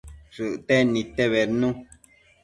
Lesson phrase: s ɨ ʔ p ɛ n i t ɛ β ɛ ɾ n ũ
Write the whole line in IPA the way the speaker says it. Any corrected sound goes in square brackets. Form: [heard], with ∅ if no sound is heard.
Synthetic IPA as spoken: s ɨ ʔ [t] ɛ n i t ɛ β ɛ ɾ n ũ